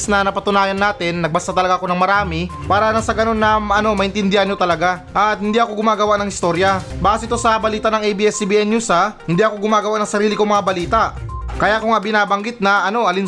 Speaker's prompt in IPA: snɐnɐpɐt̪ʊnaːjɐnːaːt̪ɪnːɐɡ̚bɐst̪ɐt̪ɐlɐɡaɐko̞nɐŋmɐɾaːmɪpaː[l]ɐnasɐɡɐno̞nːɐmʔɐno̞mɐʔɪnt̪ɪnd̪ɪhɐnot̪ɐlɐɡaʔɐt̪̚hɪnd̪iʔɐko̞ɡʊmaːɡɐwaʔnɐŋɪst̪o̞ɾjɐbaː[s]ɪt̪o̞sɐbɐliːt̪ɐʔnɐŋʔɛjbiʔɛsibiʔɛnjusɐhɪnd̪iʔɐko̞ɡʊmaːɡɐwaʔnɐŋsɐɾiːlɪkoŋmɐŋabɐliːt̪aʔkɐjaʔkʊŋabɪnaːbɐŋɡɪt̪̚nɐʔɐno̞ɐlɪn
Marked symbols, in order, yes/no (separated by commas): no, yes